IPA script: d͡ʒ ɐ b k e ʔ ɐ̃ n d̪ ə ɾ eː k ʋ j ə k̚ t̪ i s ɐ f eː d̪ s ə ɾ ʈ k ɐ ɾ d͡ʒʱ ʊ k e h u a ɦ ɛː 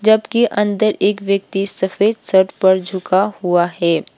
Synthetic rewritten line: d͡ʒ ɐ b k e ʔ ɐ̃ n d̪ ə ɾ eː k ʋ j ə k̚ t̪ i s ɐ f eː d̪ s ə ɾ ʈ p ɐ ɾ d͡ʒʱ ʊ k a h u a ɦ ɛː